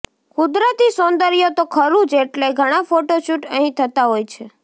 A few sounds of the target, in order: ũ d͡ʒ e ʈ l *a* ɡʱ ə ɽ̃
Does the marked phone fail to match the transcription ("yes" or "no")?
yes